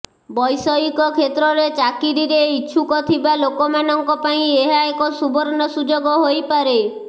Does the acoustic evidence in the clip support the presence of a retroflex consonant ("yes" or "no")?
no